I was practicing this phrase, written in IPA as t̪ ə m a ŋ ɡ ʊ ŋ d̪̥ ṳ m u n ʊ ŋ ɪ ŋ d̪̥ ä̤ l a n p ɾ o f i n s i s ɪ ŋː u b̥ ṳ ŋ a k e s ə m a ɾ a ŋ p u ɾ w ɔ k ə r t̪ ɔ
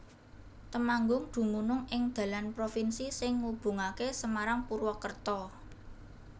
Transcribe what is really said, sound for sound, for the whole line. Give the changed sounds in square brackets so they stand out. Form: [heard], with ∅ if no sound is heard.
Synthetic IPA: t̪ ə m a ŋ ɡ ʊ ŋ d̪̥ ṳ m u n ʊ ŋ ɪ ŋ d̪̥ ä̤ l a n p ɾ o f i n s i s ɪ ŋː u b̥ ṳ ŋ a k e s ə m a ɾ a ŋ p u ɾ w ɔ k ə r t̪ ɔ

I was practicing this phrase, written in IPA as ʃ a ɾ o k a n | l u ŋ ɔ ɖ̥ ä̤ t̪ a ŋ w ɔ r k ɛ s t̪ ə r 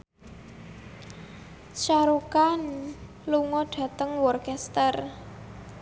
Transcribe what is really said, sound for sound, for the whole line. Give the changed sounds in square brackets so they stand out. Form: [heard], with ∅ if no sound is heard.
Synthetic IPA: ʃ a ɾ [u] k a n | l u ŋ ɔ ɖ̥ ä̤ t̪ [ə] ŋ w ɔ r k ɛ s t̪ ə r

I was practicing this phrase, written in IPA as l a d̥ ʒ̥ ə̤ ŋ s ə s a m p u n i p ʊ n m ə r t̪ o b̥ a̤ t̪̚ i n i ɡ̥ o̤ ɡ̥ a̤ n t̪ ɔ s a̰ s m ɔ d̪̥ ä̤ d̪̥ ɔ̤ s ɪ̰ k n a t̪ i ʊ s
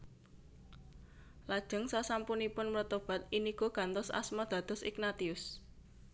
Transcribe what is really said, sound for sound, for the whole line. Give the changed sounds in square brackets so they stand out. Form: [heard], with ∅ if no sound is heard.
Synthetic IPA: l a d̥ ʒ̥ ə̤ ŋ s [a] s a m p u n i p ʊ n m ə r t̪ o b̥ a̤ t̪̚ i n i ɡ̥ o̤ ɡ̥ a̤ n t̪ ɔ s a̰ s m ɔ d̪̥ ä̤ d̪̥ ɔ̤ s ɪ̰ k n a t̪ i ʊ s

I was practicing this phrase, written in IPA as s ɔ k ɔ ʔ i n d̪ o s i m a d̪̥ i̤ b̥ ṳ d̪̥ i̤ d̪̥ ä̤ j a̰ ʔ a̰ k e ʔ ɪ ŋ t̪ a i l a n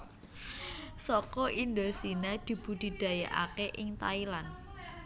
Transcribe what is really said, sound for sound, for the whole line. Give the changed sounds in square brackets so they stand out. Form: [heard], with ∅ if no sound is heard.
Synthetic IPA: s ɔ k ɔ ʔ i n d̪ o s i [n] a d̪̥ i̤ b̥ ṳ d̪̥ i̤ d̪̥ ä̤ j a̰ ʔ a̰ k e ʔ ɪ ŋ t̪ a i l a n

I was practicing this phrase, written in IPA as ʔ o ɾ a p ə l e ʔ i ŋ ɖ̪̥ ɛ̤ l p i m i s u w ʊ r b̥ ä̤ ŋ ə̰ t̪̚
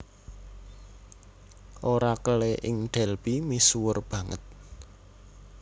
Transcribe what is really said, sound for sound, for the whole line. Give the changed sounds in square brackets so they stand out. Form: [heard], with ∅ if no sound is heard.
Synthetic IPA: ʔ o ɾ a [k] ə l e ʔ [ɪ] ŋ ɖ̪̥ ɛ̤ l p i m i s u w ʊ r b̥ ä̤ ŋ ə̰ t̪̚

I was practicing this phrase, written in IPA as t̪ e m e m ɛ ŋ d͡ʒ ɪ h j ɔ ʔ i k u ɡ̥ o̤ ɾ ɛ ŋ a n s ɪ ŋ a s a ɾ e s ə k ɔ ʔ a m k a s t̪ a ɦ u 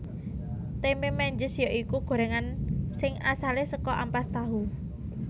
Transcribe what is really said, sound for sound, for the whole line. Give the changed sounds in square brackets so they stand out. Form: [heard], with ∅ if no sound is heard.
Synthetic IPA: t̪ e m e m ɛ [ɲ] d͡ʒ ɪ [s] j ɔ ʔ i k u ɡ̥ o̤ ɾ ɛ ŋ a n s ɪ ŋ a s a [l] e s ə k ɔ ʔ a m [p] a s t̪ a ɦ u

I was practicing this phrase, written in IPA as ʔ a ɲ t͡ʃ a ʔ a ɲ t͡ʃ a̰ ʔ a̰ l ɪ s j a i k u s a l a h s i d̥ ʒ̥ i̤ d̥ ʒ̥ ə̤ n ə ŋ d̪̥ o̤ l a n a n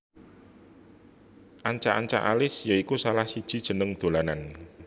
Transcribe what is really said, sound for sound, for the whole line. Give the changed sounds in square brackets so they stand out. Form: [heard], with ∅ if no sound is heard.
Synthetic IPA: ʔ a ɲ t͡ʃ a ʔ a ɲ t͡ʃ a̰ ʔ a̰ l ɪ s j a i k u s a l a h s i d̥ ʒ̥ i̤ d̥ ʒ̥ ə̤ n ə ŋ d̪̥ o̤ l a n a n

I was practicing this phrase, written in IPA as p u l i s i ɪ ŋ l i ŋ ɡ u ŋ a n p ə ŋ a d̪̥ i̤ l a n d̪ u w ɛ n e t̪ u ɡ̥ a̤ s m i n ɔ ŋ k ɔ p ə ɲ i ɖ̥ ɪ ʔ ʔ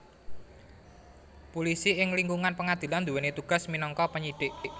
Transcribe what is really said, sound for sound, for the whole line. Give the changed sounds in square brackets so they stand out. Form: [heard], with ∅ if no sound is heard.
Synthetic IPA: p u l i s i ɪ ŋ l i ŋ ɡ u ŋ a n p ə ŋ a d̪̥ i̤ l a n d̪ u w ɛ n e t̪ u ɡ̥ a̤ s m i n ɔ ŋ k ɔ p ə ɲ i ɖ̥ ɪ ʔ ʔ

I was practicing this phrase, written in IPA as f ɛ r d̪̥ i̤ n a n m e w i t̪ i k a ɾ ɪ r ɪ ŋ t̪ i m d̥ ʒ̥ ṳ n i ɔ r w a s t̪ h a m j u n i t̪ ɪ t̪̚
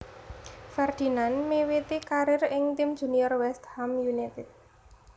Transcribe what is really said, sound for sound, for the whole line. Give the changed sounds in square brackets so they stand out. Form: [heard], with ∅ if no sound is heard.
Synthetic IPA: f ɛ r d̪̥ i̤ n a n m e w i t̪ i k a ɾ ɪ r ɪ ŋ t̪ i m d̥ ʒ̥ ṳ n i ɔ r w [ɛ] s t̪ h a m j u n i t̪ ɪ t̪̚

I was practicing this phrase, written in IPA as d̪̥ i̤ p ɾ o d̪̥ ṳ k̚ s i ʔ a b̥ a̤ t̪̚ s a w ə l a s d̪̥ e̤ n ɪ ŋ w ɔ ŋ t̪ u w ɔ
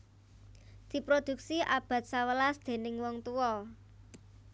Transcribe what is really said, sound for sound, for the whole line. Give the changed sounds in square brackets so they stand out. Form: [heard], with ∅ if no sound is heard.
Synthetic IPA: d̪̥ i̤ p ɾ o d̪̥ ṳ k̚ s i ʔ a b̥ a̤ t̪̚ s a w ə l a s d̪̥ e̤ n ɪ ŋ w ɔ ŋ t̪ u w ɔ

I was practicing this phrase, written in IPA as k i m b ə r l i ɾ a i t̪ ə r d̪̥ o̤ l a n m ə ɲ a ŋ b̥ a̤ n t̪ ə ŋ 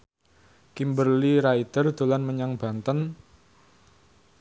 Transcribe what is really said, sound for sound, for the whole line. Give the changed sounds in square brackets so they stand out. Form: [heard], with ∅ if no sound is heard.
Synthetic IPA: k i m b ə r l i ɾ a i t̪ ə r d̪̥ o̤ l a n m ə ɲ a ŋ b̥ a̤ n t̪ ə [n]

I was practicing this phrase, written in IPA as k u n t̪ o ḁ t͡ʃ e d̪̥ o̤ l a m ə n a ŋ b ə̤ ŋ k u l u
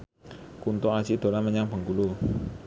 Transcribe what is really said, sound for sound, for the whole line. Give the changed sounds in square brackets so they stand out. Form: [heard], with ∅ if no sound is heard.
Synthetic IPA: k u n t̪ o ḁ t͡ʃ [i] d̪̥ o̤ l a m ə [ɲ] a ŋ b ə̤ ŋ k u l u

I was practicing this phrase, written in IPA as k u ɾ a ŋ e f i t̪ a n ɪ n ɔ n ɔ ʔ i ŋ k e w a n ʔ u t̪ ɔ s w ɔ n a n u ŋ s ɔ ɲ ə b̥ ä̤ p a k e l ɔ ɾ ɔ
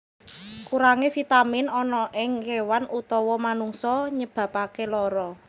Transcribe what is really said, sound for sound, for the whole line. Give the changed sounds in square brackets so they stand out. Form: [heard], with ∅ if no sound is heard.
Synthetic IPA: k u ɾ a ŋ e f i t̪ a [m] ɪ n ɔ n ɔ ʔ [ɪ] ŋ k e w a n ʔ u t̪ ɔ [∅] w ɔ [m] a n u ŋ s ɔ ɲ ə b̥ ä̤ p a k e l ɔ ɾ ɔ

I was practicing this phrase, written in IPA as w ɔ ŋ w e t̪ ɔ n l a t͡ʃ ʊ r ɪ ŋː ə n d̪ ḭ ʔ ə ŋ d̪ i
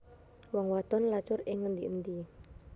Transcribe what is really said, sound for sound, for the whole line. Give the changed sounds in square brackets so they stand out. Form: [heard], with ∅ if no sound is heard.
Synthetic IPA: w ɔ ŋ w [a] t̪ ɔ n l a t͡ʃ ʊ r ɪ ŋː ə n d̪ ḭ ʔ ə [n] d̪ i

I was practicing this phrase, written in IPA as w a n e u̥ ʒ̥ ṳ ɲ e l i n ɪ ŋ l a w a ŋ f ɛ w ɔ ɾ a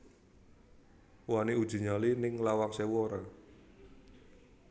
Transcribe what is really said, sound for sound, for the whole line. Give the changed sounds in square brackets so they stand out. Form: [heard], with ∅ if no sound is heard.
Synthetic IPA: w a n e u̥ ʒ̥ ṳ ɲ [a] l i n ɪ ŋ l a w a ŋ [s] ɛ w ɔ ɾ a

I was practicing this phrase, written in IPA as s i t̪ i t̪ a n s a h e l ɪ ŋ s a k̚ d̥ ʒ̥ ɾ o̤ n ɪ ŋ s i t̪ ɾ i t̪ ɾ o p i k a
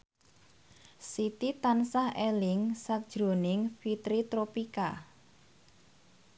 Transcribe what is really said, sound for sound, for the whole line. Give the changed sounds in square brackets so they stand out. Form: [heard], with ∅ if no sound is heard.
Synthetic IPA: s i t̪ i t̪ a n s a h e l ɪ ŋ s a k̚ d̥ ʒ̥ ɾ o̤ n ɪ ŋ [f] i t̪ ɾ i t̪ ɾ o p i k a

